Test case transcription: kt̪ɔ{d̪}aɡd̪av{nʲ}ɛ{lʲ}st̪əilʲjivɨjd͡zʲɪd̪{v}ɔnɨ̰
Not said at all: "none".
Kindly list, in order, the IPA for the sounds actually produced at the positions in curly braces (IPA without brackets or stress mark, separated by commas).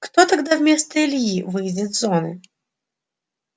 t̪, mʲ, none, z